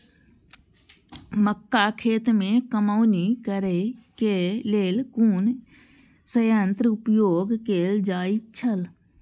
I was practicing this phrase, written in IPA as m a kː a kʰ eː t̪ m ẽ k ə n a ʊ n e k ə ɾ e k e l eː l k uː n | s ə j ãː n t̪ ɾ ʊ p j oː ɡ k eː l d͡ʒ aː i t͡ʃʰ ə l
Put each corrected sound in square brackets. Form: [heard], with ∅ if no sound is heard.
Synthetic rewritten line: m [ə] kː a kʰ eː t̪ m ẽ k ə [m] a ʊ n [i] k ə ɾ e k e l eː l k uː n | s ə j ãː n t̪ ɾ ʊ p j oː ɡ k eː l d͡ʒ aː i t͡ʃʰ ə l